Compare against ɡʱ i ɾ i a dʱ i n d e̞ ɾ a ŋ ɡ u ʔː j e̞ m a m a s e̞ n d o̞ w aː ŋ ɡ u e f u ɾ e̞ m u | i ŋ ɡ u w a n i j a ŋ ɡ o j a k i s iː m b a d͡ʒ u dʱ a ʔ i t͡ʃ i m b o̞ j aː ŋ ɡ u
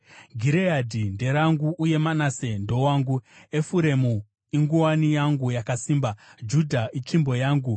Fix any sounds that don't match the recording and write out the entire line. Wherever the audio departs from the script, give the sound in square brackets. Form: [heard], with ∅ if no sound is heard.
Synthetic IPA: ɡʱ i ɾ [e] a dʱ i n d e̞ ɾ a ŋ ɡ u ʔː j e̞ m a [n] a s e̞ n d o̞ w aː ŋ ɡ u e f u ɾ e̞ m u | i ŋ ɡ u w a n i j a ŋ ɡ [u] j a k [a] s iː m b a d͡ʒ u dʱ a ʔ i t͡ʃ i m b o̞ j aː ŋ ɡ u